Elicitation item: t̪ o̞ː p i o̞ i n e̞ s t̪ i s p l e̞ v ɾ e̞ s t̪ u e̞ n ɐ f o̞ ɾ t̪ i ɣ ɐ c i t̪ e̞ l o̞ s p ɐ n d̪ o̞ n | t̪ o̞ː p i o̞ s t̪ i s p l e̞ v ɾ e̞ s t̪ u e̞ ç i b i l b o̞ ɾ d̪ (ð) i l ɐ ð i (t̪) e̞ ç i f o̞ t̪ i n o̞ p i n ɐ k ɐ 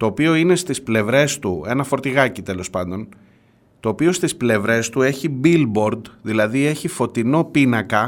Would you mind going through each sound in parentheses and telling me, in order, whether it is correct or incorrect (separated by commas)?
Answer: correct, incorrect